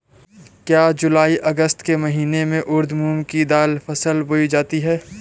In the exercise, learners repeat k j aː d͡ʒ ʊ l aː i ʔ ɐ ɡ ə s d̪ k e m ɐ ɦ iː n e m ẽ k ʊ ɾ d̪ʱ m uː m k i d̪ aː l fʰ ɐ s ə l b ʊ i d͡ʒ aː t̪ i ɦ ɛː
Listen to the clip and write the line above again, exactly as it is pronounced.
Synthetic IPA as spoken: k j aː d͡ʒ ʊ l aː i ʔ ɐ ɡ ə s t̪ k e m ɐ ɦ iː n e m ẽ ʔ ʊ ɾ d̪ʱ m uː m k i d̪ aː l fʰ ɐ s ə l b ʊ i d͡ʒ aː t̪ i ɦ ɛː